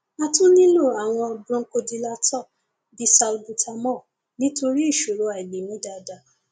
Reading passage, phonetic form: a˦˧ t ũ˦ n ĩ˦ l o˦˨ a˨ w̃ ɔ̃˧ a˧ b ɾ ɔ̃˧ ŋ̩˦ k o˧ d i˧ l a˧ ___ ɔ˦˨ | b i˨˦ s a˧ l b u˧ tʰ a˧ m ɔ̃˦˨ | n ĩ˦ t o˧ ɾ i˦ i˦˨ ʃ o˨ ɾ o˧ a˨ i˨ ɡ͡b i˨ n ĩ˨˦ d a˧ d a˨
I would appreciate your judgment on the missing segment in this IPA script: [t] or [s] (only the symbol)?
t